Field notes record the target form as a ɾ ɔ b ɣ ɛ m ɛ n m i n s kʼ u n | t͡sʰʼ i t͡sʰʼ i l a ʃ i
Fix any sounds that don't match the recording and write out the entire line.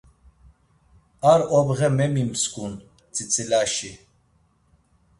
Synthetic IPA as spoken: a ɾ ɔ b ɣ ɛ m ɛ m i m s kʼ u n | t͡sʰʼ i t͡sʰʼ i l a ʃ i